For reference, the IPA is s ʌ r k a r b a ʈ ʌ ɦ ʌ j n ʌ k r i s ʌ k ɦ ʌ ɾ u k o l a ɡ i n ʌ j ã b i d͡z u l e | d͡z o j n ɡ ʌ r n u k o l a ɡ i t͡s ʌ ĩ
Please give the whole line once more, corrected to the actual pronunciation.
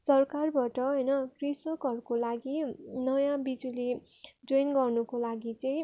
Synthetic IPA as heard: s ʌ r k a r b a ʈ ʌ ɦ ʌ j n ʌ k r i s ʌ k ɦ ʌ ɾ u k o l a ɡ i n ʌ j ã b i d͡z u l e | d͡z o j n ɡ ʌ r n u k o l a ɡ i t͡s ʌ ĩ